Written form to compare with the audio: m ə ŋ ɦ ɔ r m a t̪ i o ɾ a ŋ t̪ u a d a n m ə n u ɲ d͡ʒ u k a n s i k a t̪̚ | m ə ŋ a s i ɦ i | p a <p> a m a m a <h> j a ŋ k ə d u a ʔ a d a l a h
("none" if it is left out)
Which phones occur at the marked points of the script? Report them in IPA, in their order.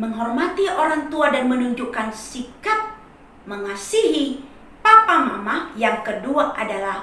p, h

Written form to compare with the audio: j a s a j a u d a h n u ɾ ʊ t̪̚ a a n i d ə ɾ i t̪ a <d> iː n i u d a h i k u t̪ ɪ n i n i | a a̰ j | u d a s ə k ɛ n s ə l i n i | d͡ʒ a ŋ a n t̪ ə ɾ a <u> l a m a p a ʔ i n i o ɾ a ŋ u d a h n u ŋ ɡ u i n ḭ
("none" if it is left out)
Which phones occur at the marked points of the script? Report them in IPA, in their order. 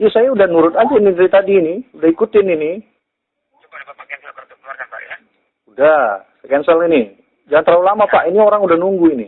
d, u

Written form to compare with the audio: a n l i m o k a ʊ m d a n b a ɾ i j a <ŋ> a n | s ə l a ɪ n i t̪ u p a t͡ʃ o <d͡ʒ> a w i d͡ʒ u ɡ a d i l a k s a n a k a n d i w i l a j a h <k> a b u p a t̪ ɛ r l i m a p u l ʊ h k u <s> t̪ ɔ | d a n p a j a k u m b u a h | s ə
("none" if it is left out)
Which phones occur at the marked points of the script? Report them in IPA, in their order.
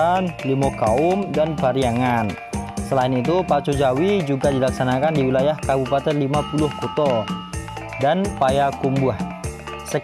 ŋ, d͡ʒ, k, none

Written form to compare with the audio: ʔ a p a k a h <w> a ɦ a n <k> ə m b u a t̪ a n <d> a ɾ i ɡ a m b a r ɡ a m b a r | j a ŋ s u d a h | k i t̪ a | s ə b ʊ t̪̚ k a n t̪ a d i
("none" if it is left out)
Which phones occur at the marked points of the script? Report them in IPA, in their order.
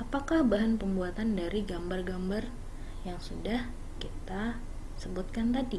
b, p, d

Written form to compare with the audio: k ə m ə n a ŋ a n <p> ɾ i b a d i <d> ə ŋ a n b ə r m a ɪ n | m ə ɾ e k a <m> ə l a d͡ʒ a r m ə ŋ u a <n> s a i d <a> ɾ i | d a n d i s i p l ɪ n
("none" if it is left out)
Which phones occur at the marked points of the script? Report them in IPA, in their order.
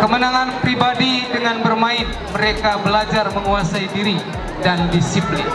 p, d, b, none, i

